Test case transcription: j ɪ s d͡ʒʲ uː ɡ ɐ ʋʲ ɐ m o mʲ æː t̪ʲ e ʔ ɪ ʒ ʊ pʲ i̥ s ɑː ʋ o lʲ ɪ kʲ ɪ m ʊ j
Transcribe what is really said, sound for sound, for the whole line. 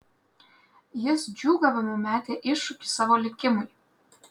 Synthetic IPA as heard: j ɪ s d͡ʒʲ uː ɡ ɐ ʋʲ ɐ m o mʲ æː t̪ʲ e ʔ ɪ ʃ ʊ kʲ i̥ s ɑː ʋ o lʲ ɪ kʲ ɪ m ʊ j